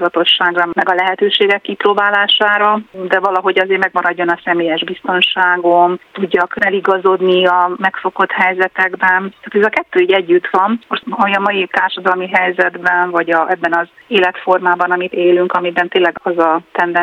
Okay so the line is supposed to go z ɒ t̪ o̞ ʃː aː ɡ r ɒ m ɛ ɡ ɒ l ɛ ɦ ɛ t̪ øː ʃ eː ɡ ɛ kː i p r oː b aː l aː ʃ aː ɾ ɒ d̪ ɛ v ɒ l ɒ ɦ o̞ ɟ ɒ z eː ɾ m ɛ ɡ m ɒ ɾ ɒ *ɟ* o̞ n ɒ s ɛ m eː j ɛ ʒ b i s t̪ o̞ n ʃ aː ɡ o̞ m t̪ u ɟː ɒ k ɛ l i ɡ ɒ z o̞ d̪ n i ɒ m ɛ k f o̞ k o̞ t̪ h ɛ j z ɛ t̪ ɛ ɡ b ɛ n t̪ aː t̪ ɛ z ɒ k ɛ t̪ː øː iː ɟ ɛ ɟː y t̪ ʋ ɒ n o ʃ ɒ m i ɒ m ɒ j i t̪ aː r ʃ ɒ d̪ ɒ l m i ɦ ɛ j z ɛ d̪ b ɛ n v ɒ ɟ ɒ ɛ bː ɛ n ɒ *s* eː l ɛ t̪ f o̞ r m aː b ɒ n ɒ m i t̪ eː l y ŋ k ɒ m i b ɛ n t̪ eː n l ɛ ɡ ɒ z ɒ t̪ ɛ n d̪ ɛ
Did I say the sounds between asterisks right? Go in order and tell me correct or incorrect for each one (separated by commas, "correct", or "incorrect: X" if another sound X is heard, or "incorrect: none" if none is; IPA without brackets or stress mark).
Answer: incorrect: ɟː, incorrect: z